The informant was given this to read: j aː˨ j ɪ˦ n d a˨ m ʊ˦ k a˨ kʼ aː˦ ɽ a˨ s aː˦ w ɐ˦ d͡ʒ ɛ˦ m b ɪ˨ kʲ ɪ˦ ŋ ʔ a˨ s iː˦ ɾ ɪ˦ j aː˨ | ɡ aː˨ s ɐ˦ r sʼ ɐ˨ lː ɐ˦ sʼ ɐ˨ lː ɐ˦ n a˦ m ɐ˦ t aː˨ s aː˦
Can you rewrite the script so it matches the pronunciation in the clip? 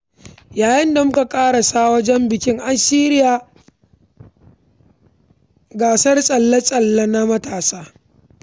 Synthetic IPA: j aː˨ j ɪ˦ n d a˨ m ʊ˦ k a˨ kʼ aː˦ ɽ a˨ s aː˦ w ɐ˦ d͡ʒ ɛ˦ m b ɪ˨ kʲ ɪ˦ ŋ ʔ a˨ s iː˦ ɾ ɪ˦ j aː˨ | ɡ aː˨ s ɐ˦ r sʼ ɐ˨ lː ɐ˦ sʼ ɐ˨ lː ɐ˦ n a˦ m ɐ˦ t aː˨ s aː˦